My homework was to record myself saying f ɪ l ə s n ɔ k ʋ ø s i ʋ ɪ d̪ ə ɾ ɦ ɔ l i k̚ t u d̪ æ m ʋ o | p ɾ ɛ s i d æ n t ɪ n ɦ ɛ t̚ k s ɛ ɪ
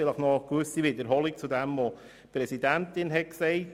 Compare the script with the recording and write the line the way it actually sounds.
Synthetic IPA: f ɪ l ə χ n ɔ k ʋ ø s i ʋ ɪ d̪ ə ɾ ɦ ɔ l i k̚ t͡s u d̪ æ m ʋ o | p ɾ ɛ s i d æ n t ɪ n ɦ ɛ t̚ k s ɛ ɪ